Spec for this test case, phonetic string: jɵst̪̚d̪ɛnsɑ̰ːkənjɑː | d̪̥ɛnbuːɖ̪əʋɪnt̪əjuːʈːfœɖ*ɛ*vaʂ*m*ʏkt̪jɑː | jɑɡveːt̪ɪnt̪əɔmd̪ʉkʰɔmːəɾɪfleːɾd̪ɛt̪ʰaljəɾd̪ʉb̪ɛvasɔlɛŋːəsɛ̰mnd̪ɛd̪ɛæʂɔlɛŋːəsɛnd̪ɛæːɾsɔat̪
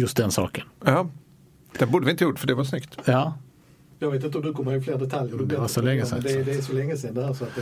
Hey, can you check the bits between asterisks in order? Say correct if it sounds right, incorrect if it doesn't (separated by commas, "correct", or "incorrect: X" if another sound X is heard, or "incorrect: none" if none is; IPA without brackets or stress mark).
correct, incorrect: n